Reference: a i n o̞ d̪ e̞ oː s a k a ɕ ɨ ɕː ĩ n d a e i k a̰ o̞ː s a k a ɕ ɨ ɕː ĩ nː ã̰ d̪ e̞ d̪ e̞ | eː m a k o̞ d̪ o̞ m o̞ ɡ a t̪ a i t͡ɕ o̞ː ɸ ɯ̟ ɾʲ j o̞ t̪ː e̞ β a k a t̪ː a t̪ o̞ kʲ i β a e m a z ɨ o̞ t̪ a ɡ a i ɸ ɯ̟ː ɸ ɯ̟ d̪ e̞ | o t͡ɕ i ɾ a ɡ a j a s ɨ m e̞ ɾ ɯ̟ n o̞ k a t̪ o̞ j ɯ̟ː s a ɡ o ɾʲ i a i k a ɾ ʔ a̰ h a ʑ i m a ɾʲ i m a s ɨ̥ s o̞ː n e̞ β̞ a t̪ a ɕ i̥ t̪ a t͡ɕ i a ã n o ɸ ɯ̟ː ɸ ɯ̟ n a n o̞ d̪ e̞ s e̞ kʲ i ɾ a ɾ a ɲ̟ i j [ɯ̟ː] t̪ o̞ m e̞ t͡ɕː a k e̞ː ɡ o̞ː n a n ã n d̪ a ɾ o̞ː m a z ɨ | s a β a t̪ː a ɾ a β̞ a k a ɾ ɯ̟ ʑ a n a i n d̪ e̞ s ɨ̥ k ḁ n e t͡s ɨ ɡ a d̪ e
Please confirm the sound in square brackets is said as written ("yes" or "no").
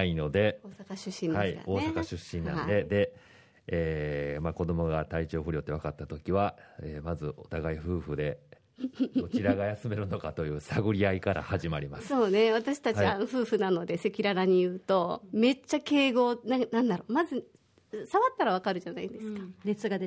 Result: yes